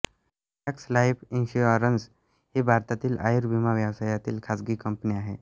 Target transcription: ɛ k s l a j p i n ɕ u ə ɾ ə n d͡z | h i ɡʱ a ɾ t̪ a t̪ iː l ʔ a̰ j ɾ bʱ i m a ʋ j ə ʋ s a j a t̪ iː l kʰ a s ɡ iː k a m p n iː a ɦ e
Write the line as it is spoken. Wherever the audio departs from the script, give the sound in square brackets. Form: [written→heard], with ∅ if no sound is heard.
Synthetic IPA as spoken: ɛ k s l a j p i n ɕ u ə ɾ ə n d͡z | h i [ɡʱ→bʱ] a ɾ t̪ a t̪ iː l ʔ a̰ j ɾ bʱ i m a ʋ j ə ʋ s a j a t̪ iː l kʰ a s ɡ iː k [a→ə] m p n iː a ɦ e